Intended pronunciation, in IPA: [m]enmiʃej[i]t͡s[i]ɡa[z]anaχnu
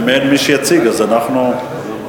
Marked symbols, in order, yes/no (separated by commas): yes, no, yes, yes